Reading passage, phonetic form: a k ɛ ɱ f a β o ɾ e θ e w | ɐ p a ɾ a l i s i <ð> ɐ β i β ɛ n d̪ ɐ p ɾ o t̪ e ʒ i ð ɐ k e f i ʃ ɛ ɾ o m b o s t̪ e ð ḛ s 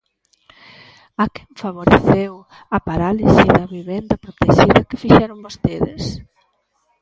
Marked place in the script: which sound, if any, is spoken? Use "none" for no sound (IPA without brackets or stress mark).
ð